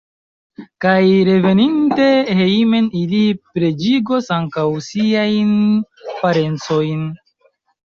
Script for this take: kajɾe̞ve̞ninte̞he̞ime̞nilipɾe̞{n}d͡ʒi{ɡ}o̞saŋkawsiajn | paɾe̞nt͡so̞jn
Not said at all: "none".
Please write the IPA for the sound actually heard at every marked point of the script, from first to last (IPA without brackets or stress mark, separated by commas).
none, ɡ